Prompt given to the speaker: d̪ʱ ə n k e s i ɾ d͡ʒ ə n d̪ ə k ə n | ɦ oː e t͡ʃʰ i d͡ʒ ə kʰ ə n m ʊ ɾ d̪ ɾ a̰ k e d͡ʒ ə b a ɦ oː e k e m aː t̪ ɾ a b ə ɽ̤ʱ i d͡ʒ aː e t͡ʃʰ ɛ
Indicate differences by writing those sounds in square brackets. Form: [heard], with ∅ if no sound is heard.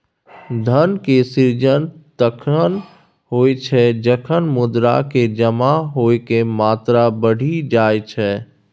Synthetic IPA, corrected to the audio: d̪ʱ ə n k e s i ɾ d͡ʒ ə n [t̪] ə [kʰ] ə n | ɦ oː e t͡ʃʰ [ɛ] d͡ʒ ə kʰ ə n m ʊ [∅] d̪ ɾ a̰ k e d͡ʒ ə [m] a ɦ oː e k e m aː t̪ ɾ a b ə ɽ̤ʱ i d͡ʒ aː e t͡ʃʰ ɛ